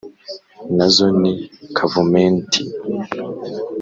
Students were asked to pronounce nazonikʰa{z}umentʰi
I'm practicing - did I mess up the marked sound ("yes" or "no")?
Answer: yes